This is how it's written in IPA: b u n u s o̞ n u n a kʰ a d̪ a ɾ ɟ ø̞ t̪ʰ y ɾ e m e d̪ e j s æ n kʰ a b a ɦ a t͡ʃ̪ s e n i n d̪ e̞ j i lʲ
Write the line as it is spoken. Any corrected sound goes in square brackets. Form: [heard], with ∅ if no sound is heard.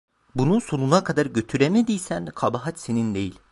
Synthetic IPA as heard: b u n u s o̞ n u n a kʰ a d̪ a ɾ ɟ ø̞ t̪ʰ y ɾ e m e d̪ [i] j s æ n kʰ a b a ɦ a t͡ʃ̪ s e n i n d̪ e̞ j i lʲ